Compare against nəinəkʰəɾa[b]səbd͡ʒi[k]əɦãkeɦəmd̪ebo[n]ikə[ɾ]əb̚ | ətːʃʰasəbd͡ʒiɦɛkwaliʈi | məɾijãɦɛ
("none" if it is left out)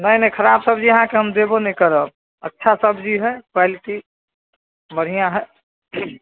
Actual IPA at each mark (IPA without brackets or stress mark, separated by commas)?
b, none, n, ɾ